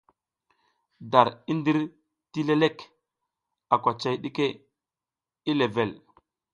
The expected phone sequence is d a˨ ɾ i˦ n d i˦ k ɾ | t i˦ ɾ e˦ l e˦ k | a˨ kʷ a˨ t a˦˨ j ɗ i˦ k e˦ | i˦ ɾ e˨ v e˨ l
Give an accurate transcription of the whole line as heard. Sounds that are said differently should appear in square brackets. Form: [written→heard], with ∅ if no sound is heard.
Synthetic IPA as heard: d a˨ ɾ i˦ n d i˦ [k→∅] ɾ | t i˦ [ɾ→l] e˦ l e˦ k | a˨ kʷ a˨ [t→t͡ʃ] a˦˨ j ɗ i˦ k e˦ | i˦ [ɾ→l] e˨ v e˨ l